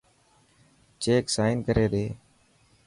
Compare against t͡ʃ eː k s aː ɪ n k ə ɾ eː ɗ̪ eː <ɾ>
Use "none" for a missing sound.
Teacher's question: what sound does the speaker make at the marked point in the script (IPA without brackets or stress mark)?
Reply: none